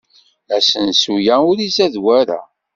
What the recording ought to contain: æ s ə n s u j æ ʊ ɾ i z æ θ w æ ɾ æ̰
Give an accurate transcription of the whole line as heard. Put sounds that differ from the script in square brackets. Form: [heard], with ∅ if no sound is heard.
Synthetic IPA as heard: æ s ə n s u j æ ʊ ɾ i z æ [ð] w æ ɾ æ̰